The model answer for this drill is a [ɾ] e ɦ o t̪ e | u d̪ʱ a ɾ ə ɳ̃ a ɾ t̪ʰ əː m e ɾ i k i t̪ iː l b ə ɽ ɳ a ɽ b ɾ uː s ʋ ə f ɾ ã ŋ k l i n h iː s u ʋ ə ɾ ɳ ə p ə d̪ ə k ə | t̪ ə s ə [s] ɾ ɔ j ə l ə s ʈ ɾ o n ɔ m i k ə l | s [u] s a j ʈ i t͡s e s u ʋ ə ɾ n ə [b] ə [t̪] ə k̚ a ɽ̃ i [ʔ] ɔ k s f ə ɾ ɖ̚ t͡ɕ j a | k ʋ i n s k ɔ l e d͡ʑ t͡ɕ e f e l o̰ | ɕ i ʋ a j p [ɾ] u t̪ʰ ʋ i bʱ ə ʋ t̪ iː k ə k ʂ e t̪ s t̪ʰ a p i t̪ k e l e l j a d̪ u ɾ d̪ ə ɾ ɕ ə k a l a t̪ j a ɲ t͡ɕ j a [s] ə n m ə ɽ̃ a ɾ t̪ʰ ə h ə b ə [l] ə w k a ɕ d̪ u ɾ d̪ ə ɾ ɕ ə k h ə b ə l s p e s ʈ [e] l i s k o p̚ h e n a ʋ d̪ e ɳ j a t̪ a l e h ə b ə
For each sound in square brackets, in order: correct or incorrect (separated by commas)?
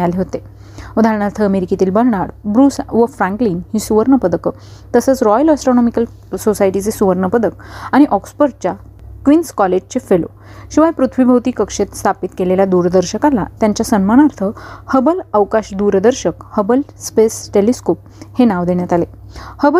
incorrect, incorrect, incorrect, incorrect, incorrect, correct, correct, correct, correct, correct